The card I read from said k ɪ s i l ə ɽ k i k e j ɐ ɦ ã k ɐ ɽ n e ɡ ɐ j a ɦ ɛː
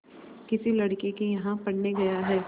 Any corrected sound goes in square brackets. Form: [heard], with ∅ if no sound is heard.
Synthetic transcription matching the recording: k ɪ s i l [ɐ] ɽ k [e] k e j ɐ ɦ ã [p] ɐ ɽ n e ɡ ɐ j a ɦ ɛː